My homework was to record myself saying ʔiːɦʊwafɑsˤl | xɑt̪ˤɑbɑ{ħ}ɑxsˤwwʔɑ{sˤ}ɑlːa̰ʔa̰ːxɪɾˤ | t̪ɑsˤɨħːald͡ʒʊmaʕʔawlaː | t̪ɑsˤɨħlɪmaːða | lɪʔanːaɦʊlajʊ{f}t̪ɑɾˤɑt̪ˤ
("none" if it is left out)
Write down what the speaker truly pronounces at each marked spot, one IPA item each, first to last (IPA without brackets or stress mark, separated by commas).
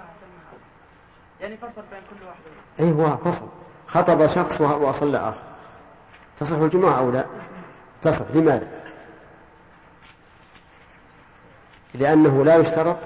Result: ʃ, sˤ, ʃ